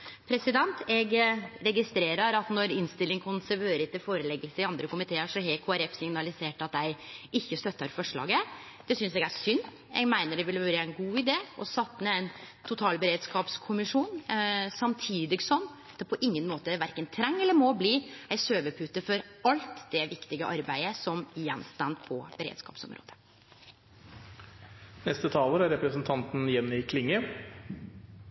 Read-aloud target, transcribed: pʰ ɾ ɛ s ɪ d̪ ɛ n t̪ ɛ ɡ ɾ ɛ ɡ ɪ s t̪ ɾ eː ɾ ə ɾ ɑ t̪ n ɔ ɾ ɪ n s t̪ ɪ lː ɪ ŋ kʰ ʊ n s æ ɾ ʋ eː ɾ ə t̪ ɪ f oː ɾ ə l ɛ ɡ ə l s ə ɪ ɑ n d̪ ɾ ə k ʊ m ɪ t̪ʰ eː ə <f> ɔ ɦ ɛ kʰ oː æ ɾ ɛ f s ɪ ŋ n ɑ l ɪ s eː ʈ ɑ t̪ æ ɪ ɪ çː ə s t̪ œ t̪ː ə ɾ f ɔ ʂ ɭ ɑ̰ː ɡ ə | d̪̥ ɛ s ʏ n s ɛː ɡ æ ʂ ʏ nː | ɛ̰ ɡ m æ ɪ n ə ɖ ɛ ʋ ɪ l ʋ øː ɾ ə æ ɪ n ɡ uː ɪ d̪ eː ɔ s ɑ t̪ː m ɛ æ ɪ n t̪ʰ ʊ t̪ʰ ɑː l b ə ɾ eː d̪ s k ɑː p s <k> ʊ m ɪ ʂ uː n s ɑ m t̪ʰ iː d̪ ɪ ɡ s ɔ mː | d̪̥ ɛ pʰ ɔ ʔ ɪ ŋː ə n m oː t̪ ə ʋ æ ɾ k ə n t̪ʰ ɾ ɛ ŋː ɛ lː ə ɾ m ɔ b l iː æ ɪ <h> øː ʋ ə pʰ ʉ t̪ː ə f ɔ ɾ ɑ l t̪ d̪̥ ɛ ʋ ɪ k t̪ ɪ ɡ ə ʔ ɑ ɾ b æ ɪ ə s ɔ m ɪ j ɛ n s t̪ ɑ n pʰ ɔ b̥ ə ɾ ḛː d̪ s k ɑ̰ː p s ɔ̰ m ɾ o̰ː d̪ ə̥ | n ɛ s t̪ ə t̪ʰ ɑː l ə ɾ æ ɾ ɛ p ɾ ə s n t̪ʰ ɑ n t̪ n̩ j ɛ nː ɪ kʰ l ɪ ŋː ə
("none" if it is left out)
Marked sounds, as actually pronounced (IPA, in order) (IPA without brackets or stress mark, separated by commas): ʂ, kʰ, s